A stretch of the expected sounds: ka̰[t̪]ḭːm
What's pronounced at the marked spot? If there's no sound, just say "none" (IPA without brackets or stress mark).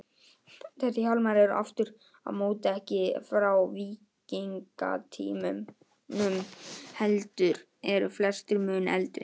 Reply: t̪ʰ